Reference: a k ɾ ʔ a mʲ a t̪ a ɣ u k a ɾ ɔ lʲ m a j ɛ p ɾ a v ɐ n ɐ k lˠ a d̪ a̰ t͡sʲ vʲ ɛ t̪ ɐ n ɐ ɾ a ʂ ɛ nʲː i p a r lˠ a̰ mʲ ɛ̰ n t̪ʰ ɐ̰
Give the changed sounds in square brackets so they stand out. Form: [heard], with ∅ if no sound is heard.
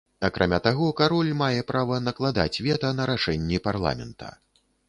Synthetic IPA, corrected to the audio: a k ɾ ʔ a mʲ a t̪ a ɣ [ɔ] k a ɾ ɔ lʲ m a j ɛ p ɾ a v ɐ n ɐ k lˠ a d̪ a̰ t͡sʲ vʲ ɛ t̪ ɐ n ɐ ɾ a ʂ ɛ nʲː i p a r lˠ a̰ mʲ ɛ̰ n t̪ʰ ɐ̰